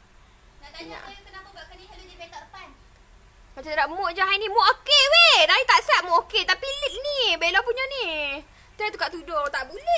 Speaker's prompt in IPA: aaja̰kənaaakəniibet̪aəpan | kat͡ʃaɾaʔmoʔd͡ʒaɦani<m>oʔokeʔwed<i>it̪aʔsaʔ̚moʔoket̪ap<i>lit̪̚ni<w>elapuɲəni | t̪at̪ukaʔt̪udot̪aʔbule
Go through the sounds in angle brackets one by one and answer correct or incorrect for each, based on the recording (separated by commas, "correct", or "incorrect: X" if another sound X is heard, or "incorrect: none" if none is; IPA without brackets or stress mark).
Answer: correct, incorrect: a, correct, incorrect: b